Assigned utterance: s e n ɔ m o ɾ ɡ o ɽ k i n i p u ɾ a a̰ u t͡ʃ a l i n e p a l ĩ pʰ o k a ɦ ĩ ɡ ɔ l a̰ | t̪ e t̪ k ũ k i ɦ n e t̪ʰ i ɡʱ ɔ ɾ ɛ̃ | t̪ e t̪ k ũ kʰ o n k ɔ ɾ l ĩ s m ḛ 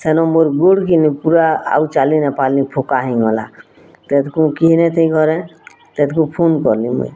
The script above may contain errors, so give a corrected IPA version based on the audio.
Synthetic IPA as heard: s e n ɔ m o ɾ ɡ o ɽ k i n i p u ɾ a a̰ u t͡ʃ a l i n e p a l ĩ pʰ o k a ɦ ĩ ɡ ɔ l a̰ | t̪ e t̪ k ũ k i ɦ n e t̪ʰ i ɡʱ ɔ ɾ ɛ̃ | t̪ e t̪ k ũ pʰ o n k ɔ ɾ l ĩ m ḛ